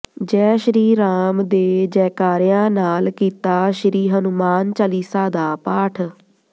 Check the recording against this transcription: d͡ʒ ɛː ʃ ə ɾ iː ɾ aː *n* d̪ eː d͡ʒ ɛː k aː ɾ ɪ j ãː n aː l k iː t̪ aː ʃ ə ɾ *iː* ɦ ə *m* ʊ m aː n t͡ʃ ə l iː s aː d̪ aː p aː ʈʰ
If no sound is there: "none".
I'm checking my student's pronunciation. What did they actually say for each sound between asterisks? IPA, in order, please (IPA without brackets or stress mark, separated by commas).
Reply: m, iː, n